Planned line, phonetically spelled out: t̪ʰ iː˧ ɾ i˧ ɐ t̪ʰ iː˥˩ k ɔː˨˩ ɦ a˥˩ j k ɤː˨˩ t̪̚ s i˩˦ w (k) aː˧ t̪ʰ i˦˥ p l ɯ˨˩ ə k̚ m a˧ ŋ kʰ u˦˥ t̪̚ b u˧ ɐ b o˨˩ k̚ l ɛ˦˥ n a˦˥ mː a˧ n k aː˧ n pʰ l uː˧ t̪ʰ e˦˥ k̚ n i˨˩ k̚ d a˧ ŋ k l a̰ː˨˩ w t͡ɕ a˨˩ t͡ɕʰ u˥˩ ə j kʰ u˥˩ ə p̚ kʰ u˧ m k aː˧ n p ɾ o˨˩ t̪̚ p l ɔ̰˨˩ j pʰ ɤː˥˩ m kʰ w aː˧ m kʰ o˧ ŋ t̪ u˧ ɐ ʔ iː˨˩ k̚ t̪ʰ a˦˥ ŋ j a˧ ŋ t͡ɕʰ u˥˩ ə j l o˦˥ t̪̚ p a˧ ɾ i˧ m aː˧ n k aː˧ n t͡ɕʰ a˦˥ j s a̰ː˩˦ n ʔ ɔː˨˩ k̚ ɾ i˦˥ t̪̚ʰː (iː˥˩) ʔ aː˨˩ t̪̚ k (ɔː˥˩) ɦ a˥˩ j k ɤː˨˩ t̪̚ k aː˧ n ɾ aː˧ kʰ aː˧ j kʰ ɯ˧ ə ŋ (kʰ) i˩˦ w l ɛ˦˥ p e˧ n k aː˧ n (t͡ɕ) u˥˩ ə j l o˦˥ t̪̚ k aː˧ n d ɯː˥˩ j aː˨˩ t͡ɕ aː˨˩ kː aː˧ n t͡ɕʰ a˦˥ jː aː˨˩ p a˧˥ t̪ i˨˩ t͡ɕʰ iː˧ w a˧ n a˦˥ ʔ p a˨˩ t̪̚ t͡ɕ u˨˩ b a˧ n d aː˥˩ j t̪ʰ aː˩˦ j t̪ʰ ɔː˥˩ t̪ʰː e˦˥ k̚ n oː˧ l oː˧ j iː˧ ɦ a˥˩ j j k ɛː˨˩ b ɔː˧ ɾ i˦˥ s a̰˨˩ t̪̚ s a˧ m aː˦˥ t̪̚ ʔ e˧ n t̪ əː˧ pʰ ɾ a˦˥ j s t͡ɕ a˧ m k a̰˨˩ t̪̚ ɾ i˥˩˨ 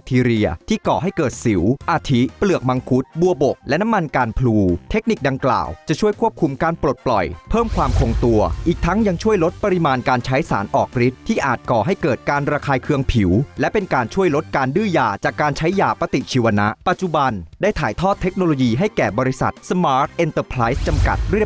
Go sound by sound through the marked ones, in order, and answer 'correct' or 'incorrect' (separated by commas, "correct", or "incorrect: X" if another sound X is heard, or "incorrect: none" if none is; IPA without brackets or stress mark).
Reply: incorrect: ʔ, correct, incorrect: ɔː˨˩, incorrect: pʰ, incorrect: t͡ɕʰ